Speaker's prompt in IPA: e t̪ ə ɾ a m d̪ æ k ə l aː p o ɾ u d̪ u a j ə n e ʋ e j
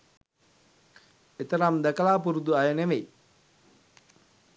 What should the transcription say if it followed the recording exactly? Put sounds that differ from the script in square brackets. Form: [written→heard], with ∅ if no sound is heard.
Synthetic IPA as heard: e t̪ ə ɾ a m d̪ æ k ə l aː p [o→u] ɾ u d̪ u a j ə n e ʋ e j